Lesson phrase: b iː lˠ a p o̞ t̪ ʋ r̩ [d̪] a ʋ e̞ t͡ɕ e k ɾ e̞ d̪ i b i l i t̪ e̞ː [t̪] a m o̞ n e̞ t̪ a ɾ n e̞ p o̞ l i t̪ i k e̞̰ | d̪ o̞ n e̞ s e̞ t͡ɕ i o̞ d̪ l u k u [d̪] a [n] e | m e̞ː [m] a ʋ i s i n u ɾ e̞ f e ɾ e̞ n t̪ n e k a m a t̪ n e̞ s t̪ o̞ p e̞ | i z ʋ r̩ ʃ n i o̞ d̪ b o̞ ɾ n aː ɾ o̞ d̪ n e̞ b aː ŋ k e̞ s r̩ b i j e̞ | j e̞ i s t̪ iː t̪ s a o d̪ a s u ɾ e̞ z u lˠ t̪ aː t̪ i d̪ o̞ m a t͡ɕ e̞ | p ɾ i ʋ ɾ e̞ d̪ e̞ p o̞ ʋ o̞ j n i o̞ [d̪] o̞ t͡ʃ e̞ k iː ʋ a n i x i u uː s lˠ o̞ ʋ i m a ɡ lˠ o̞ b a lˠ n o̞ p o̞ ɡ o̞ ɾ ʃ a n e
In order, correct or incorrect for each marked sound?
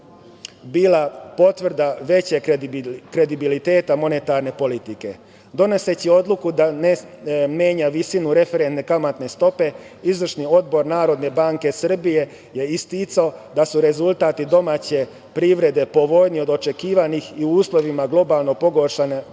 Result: correct, correct, correct, correct, incorrect: ɲ, correct

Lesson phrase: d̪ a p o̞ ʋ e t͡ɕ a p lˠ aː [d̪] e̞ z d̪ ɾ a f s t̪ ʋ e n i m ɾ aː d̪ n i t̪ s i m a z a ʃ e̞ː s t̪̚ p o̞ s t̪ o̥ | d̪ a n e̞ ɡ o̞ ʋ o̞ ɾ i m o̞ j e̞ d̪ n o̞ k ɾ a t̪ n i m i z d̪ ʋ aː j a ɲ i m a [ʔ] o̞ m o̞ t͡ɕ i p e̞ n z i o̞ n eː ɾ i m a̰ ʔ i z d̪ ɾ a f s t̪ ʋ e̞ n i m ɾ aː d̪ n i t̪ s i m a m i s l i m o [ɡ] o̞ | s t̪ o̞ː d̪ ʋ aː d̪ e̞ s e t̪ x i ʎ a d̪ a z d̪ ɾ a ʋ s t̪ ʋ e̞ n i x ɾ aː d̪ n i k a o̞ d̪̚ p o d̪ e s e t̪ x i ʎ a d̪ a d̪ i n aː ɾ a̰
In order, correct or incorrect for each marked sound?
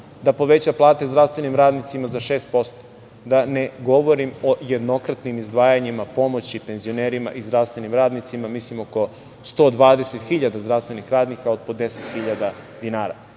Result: incorrect: t̪, incorrect: p, incorrect: k

